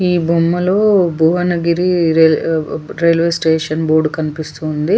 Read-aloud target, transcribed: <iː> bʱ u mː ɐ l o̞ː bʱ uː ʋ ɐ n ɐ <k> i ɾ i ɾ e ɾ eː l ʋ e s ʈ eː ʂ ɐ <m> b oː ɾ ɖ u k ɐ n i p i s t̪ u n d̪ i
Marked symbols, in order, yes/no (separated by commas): yes, no, no